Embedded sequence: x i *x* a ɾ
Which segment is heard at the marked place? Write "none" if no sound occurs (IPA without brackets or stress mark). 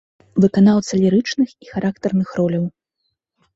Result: x